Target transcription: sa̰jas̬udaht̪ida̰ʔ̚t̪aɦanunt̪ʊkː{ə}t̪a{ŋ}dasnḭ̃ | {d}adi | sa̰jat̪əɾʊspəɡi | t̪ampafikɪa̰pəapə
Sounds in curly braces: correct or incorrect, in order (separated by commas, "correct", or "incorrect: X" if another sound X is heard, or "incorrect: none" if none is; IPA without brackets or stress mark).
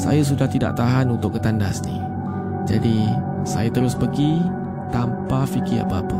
correct, incorrect: n, incorrect: d͡ʒ